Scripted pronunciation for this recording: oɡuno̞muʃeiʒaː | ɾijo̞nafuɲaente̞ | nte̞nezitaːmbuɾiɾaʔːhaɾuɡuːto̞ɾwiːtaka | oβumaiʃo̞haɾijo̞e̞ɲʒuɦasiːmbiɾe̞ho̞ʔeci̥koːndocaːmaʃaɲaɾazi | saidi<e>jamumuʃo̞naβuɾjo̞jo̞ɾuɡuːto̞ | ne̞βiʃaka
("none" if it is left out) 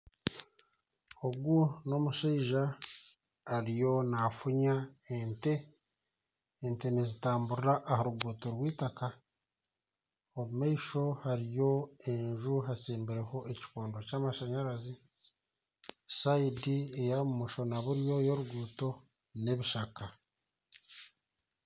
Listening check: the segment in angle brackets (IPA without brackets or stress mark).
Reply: e